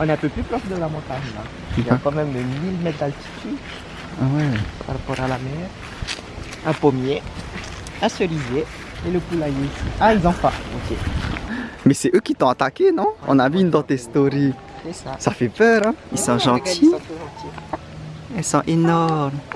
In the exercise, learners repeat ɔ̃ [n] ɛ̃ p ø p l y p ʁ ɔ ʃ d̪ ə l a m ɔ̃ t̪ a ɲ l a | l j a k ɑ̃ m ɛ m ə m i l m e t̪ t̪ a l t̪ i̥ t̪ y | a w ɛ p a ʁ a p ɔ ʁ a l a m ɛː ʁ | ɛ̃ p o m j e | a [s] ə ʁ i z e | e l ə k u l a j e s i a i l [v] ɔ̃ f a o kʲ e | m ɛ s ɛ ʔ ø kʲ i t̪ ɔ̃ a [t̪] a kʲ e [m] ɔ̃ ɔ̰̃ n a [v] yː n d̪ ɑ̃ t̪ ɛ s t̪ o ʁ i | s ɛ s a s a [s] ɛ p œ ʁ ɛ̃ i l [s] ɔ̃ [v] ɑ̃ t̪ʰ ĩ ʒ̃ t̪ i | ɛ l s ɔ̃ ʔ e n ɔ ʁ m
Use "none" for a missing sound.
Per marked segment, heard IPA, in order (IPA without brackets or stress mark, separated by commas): n, s, z, t̪, n, v, f, s, ʒ